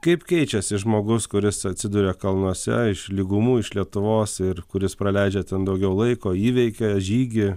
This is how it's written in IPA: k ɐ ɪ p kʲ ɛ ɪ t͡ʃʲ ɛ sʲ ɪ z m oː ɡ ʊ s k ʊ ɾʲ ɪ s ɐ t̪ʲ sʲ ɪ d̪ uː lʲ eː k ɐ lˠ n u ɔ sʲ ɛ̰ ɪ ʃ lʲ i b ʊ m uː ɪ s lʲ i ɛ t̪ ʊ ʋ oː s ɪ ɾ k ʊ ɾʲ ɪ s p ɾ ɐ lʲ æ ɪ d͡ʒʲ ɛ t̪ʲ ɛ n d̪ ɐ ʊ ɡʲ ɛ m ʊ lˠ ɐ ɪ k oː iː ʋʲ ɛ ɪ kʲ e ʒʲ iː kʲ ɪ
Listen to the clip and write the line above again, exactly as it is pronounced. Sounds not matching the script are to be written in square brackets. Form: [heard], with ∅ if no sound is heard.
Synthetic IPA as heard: k ɐ ɪ p kʲ ɛ ɪ t͡ʃʲ ɛ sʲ ɪ [ʒ] m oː ɡ ʊ s k ʊ ɾʲ ɪ s ɐ t̪ʲ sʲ ɪ d̪ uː [ɾʲ] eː k ɐ lˠ n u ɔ sʲ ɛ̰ ɪ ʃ lʲ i [ɡ] ʊ m uː ɪ [ʃ] lʲ i ɛ t̪ ʊ ʋ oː s ɪ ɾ k ʊ ɾʲ ɪ s p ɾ ɐ lʲ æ ɪ d͡ʒʲ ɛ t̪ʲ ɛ n d̪ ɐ ʊ ɡʲ ɛ [∅] ʊ lˠ ɐ ɪ k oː iː ʋʲ ɛ ɪ kʲ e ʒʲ iː [ɡʲ] ɪ